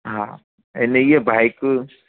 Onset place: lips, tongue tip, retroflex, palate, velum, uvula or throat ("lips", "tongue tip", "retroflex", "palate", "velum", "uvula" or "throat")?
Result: throat